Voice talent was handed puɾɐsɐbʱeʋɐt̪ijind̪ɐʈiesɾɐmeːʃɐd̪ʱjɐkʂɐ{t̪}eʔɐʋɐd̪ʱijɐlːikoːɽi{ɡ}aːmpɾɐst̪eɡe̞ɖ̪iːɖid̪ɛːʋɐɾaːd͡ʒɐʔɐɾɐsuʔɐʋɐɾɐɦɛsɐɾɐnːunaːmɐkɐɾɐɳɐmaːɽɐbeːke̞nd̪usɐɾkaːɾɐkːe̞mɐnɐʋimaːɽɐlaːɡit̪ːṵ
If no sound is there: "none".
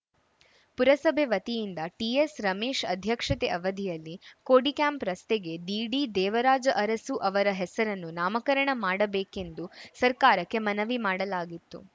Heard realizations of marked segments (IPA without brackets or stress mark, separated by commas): t̪, k